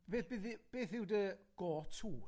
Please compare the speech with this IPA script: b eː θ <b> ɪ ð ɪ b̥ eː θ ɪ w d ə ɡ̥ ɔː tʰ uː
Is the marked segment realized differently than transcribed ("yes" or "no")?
no